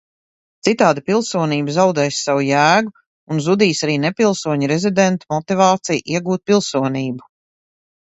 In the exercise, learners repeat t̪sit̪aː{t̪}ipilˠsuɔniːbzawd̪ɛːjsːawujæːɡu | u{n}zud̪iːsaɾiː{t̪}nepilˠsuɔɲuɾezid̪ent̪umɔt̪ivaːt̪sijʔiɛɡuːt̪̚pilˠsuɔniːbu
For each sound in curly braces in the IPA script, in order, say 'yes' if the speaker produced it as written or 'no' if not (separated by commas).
no, yes, no